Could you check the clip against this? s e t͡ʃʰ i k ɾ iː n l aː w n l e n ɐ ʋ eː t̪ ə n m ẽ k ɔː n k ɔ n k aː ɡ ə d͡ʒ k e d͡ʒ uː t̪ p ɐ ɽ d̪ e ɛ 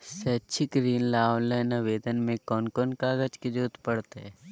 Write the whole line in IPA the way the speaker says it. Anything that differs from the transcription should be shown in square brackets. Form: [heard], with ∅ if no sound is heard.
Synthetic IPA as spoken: s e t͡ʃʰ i k ɾ iː n l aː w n l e n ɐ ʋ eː [d̪] ə n m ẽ k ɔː n k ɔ n k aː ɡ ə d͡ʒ k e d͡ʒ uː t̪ p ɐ ɽ [t̪] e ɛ